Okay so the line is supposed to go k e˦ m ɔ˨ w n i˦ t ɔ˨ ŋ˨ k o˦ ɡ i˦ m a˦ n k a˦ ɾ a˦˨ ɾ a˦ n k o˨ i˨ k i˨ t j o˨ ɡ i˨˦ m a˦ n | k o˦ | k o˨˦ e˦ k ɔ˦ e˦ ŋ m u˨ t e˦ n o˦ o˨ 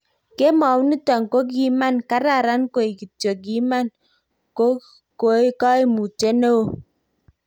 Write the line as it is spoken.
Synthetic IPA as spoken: k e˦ m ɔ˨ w n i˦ t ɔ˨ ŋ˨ k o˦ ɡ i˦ m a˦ n k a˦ ɾ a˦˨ ɾ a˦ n k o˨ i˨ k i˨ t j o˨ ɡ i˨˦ m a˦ n | k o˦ | k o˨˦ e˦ k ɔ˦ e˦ m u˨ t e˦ n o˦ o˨